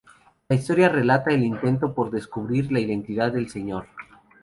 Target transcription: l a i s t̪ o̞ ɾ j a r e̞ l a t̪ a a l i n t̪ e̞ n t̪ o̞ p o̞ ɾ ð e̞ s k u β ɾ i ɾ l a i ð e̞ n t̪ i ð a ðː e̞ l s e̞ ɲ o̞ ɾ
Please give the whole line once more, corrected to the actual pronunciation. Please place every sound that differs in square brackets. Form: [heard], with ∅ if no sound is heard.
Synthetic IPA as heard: l a i s t̪ o̞ ɾ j a r e̞ l a t̪ a [e] l i n t̪ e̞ n t̪ o̞ p o̞ ɾ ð e̞ s k u β ɾ i ɾ l a i ð e̞ n t̪ i ð a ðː e̞ l s e̞ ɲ o̞ ɾ